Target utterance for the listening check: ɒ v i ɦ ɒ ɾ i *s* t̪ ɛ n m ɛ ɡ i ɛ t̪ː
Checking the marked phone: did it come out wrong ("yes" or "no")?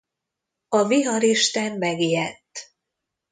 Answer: yes